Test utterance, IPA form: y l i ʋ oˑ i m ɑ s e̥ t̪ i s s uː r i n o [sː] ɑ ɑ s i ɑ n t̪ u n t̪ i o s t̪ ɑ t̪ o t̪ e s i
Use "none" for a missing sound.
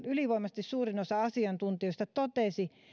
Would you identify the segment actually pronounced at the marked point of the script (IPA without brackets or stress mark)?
s